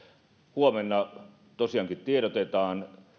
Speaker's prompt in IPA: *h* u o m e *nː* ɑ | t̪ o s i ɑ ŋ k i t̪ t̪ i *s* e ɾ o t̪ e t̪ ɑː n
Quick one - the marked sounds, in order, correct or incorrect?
correct, correct, incorrect: none

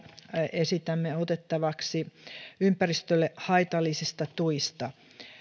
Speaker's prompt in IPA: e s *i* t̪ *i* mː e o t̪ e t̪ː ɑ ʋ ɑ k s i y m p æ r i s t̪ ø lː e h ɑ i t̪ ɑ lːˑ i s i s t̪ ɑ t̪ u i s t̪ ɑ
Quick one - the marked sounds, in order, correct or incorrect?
correct, incorrect: æ

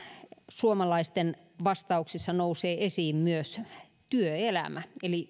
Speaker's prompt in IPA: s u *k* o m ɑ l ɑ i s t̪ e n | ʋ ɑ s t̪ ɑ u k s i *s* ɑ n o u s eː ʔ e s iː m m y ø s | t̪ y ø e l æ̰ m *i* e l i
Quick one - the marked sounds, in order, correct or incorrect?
incorrect: none, incorrect: sː, incorrect: æ

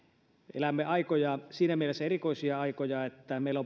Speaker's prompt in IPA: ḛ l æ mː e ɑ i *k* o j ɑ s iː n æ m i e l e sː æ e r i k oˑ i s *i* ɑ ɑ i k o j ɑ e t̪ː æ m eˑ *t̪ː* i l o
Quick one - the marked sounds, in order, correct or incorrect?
correct, correct, incorrect: none

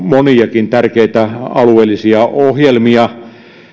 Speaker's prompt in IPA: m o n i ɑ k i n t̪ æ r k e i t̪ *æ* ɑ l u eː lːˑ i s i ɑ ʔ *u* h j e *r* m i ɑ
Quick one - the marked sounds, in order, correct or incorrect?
correct, incorrect: o, incorrect: l

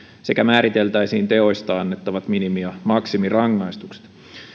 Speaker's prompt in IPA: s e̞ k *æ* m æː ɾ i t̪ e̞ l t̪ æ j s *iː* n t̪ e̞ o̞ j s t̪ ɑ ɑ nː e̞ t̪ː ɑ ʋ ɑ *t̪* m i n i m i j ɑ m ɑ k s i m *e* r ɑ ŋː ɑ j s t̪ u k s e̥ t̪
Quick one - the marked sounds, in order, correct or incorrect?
correct, correct, correct, incorrect: i

